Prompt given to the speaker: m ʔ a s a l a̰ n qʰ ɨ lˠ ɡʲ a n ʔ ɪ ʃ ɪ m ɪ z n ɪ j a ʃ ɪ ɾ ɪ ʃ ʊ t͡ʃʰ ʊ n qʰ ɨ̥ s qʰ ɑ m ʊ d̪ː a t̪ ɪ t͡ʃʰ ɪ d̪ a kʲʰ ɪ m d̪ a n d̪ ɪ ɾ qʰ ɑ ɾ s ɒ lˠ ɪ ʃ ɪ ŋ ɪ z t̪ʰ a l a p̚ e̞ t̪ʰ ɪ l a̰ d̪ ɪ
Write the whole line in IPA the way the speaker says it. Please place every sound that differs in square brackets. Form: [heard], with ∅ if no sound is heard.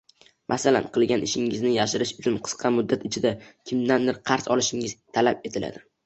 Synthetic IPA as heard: m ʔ a s a l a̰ n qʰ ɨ lˠ ɡʲ a n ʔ ɪ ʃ ɪ [ŋ] ɪ z n ɪ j a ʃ ɪ ɾ ɪ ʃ ʊ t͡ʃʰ ʊ n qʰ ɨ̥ s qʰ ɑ m ʊ d̪ː a t̪ ɪ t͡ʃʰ ɪ d̪ a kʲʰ ɪ m d̪ a n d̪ ɪ ɾ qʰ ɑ ɾ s ɒ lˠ ɪ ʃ ɪ ŋ ɪ z t̪ʰ a l a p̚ e̞ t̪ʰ ɪ l a̰ d̪ ɪ